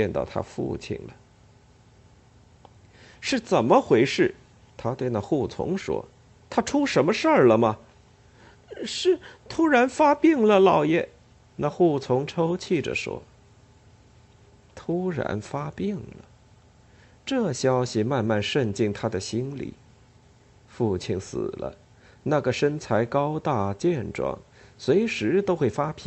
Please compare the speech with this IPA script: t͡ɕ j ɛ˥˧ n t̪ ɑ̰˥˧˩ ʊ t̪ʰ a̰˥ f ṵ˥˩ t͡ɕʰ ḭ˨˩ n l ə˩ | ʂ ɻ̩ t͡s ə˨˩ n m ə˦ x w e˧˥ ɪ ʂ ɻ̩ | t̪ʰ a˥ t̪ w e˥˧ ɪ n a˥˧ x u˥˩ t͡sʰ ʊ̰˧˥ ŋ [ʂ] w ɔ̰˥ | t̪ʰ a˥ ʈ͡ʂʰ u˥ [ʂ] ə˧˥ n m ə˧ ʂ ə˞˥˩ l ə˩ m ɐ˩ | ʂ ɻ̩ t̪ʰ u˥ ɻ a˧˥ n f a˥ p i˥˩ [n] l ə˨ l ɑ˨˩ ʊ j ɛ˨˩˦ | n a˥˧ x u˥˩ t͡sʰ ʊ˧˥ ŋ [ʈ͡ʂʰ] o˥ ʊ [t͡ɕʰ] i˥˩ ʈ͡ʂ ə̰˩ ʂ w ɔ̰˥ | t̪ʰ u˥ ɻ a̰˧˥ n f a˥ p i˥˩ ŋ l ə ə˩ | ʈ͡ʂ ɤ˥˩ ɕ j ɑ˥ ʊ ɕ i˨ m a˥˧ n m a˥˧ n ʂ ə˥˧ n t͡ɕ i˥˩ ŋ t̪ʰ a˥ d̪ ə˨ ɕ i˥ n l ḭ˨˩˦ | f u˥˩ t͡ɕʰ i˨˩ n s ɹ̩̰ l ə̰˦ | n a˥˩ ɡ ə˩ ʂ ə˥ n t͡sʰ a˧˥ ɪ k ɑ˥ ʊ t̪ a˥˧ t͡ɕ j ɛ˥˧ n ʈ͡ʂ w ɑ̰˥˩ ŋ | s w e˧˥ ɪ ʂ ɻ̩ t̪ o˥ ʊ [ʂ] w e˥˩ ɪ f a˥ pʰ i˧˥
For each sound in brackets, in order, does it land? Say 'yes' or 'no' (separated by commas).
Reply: yes, yes, no, yes, yes, no